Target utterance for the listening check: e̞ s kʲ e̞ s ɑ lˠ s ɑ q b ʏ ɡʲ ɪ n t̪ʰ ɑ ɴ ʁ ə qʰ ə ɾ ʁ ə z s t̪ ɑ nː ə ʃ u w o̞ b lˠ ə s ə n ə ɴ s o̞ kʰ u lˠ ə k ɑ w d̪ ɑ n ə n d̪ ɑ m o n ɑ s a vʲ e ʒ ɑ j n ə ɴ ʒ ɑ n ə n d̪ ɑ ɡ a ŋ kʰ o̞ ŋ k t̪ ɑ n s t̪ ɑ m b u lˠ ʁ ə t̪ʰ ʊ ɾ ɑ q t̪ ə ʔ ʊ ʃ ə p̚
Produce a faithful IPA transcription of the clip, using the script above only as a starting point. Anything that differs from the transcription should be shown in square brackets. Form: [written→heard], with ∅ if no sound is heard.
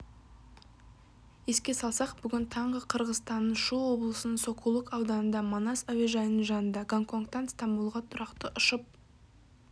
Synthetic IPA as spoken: e̞ s kʲ e̞ s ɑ lˠ s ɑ q b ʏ ɡʲ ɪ n t̪ʰ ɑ ɴ ʁ ə qʰ ə ɾ ʁ ə z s t̪ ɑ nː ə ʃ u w o̞ b lˠ ə s ə n ə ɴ s o̞ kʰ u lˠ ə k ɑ w d̪ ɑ n ə n d̪ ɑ m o n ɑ s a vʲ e ʒ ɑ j n ə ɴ ʒ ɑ n ə n d̪ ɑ ɡ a ŋ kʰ o̞ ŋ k t̪ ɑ n s t̪ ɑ m b u lˠ ʁ [ə→ɑ] t̪ʰ ʊ ɾ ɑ q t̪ ə ʔ ʊ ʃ ə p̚